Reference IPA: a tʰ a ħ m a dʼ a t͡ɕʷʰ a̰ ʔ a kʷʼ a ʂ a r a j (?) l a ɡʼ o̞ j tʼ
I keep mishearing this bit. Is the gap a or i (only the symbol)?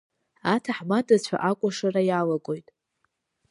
a